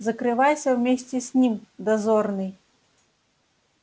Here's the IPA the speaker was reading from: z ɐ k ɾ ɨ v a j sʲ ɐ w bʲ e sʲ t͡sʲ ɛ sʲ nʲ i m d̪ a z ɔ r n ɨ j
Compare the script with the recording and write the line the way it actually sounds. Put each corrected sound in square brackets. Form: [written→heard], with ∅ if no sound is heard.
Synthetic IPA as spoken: z ɐ k ɾ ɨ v a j sʲ ɐ w [bʲ→mʲ] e sʲ t͡sʲ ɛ sʲ nʲ i m d̪ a z ɔ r n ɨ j